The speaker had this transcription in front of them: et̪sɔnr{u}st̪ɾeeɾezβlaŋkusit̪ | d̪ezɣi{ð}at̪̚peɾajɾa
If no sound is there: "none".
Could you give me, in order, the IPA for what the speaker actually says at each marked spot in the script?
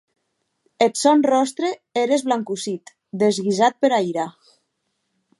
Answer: ɔ, z

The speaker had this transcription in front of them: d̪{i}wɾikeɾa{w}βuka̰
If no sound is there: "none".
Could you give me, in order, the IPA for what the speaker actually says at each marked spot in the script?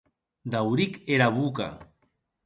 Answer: a, none

